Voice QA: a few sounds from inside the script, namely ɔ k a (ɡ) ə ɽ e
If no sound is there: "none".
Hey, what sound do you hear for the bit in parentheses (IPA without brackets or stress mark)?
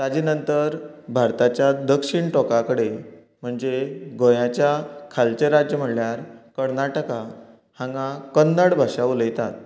k